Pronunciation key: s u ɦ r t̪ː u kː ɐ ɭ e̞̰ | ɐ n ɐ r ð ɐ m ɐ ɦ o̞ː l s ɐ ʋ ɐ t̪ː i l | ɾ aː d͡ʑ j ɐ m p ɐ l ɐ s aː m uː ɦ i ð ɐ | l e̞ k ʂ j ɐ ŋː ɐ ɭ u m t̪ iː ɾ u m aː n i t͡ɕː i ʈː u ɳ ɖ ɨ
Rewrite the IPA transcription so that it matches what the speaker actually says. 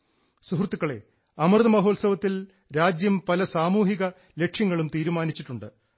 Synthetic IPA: s u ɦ r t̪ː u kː ɐ ɭ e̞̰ | ɐ m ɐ r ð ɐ m ɐ ɦ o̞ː l s ɐ ʋ ɐ t̪ː i l | ɾ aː d͡ʑ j ɐ m p ɐ l ɐ s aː m uː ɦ i ɣ ɐ | l e̞ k ʂ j ɐ ŋː ɐ ɭ u m t̪ iː ɾ u m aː n i t͡ɕː i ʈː u ɳ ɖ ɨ